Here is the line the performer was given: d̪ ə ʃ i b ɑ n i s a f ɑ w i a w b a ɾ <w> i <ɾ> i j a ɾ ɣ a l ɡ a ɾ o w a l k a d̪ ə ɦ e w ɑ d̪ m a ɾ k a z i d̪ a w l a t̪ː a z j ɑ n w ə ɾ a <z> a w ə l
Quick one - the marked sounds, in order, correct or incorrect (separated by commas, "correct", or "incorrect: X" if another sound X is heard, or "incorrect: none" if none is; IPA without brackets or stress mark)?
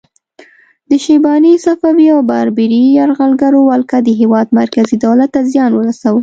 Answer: incorrect: b, correct, incorrect: s